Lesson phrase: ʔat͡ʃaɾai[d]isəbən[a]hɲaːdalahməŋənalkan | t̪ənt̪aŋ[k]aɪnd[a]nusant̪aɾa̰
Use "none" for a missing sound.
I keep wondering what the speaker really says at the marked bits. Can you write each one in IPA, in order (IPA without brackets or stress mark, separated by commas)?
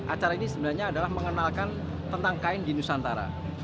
n, a, k, i